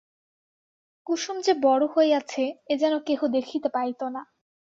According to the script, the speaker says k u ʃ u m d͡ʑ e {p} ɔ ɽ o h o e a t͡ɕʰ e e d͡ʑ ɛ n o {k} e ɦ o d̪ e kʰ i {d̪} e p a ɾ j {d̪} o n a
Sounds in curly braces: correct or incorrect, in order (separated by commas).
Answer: incorrect, correct, incorrect, incorrect